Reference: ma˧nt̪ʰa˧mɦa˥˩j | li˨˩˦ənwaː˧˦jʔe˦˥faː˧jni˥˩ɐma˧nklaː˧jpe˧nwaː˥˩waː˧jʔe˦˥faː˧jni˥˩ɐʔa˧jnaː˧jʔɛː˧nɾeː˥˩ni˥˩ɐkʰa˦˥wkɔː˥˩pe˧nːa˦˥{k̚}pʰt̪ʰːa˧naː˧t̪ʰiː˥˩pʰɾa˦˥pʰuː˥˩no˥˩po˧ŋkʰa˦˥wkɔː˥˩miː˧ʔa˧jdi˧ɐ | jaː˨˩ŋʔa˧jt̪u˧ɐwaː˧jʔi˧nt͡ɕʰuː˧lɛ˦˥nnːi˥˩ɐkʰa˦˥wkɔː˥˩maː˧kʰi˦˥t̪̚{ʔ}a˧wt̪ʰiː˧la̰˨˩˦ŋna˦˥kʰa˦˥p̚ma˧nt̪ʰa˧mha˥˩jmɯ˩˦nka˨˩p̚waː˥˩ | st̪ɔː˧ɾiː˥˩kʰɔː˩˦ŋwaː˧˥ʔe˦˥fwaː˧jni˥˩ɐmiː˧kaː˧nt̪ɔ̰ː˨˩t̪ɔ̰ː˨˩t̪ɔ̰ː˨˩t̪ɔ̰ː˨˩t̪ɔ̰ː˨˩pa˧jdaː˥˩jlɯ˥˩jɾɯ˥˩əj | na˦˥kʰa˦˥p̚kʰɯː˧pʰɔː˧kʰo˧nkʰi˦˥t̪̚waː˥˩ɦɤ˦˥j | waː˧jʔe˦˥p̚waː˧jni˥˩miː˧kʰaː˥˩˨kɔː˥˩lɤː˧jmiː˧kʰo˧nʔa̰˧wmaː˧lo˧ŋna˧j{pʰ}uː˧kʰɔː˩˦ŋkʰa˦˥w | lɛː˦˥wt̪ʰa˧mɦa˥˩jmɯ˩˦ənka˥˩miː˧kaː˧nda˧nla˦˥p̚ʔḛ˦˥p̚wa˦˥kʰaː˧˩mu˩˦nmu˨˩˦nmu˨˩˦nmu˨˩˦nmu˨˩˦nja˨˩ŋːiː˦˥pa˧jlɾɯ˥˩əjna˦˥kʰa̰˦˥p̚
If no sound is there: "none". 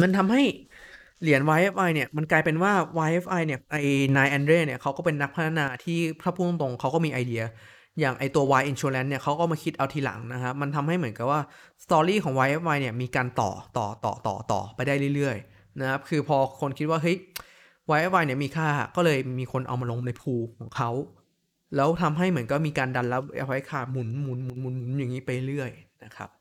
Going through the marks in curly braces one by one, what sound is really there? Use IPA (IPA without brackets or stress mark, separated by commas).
k̚, ʔ, pʰ